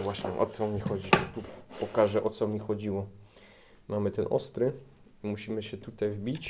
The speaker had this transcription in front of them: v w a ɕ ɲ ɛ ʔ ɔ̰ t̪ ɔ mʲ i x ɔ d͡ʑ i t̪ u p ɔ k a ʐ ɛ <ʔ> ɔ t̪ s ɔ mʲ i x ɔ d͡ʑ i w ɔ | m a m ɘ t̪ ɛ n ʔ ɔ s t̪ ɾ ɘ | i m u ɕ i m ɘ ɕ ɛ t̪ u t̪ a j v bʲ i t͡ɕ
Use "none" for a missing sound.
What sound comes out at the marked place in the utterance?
ʔ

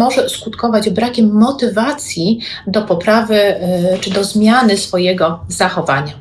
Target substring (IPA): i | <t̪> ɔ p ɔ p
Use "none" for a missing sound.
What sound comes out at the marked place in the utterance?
d̪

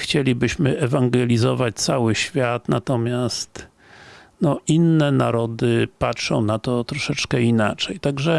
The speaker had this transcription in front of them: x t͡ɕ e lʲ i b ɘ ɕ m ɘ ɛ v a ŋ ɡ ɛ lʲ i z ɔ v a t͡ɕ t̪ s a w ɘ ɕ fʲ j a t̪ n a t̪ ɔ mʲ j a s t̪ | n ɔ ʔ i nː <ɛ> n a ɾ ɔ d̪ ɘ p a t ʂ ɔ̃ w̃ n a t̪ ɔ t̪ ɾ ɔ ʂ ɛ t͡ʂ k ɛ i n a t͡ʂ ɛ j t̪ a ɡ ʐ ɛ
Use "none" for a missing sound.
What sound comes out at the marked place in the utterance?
ɛ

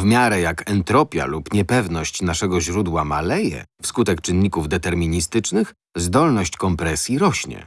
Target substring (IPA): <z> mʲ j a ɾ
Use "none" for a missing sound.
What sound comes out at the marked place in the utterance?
v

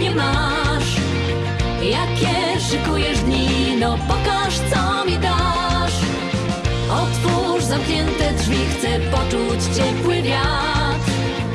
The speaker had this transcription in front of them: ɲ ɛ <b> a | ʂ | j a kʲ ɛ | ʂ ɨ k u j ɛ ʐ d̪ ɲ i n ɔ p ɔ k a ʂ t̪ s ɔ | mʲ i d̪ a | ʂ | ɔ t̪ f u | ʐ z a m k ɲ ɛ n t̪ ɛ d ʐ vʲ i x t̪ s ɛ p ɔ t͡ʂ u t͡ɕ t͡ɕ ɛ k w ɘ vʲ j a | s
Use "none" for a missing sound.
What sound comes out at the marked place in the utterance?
m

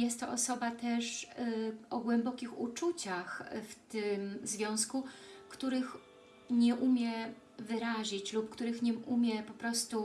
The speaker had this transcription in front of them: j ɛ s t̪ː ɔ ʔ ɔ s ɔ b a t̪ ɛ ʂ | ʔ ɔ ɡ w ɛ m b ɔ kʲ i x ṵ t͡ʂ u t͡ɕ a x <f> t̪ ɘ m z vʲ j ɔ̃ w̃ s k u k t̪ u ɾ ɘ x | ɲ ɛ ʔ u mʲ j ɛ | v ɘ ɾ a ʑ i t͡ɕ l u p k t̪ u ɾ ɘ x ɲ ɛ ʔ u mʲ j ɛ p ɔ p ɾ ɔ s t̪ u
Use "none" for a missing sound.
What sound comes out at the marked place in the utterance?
f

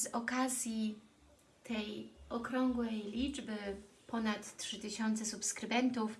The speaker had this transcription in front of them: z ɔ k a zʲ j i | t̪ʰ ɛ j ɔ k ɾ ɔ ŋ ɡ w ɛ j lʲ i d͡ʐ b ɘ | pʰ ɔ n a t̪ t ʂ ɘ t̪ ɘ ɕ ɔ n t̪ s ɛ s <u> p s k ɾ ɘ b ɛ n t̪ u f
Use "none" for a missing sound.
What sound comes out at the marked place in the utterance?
u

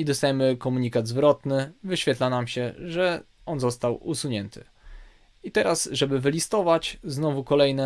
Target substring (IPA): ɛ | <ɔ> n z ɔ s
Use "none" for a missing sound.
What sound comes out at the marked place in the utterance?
ɔ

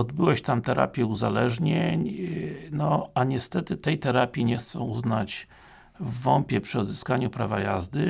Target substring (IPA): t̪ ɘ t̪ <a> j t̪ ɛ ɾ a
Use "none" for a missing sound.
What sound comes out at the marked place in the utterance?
ɛ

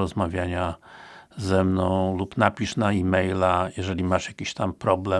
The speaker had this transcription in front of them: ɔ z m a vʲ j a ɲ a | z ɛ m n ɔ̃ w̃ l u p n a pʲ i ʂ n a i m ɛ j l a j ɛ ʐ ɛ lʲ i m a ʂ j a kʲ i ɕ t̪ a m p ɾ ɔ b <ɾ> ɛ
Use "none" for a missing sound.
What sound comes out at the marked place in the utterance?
l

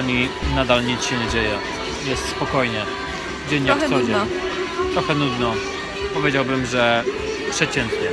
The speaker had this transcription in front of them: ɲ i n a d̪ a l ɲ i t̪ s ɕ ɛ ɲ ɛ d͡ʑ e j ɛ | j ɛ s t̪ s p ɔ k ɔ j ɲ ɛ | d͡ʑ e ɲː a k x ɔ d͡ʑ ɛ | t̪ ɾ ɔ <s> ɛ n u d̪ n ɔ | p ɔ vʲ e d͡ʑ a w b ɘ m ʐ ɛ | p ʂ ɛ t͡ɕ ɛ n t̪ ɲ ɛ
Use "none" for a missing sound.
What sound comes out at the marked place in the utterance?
x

